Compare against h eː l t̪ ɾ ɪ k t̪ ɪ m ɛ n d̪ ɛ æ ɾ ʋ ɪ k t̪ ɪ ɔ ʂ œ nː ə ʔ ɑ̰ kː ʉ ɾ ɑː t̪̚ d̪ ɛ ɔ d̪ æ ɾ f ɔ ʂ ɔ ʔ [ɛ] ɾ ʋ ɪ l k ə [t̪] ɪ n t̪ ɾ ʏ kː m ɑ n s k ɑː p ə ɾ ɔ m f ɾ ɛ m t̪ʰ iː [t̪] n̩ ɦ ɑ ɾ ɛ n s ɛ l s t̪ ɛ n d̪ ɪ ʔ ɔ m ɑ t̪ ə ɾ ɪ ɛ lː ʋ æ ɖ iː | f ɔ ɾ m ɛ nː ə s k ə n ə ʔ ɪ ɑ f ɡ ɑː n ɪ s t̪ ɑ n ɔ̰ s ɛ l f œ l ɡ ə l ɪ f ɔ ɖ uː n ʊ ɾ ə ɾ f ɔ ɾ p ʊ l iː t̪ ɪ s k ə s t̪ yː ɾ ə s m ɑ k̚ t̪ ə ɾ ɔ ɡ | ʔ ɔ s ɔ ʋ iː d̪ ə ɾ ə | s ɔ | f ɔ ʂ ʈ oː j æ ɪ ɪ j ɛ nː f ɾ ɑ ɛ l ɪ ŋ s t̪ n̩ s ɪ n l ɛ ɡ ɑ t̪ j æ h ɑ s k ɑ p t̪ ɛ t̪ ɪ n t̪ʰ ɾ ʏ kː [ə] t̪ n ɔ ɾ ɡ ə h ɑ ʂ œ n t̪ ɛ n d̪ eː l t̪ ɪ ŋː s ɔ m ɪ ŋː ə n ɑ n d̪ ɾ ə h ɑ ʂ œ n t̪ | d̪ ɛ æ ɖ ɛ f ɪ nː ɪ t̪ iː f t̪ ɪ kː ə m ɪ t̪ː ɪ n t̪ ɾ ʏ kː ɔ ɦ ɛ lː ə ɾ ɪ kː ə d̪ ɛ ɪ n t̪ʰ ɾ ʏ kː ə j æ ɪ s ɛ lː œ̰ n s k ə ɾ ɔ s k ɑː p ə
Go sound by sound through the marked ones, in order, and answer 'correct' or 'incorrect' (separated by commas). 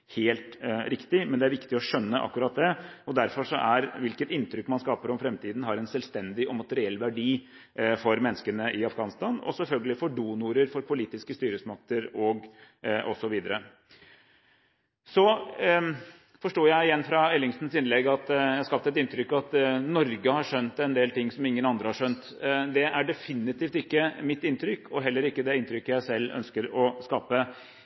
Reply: incorrect, correct, incorrect, incorrect